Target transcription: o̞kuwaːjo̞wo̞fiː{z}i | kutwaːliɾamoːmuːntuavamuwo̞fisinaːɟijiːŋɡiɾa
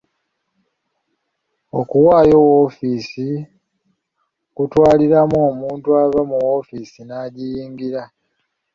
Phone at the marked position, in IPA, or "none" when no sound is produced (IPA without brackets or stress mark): s